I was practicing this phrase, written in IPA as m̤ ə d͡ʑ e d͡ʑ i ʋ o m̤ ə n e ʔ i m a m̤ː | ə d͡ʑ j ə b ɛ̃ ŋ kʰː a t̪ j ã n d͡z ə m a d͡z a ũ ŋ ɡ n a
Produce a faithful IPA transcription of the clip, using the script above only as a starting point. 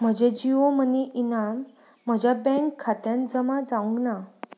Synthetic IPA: m̤ ə d͡ʑ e d͡ʑ i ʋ o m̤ ə n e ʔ i n a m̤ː | ə d͡ʑ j a b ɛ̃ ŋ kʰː a t̪ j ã n d͡z ə m a d͡z a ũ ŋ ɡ n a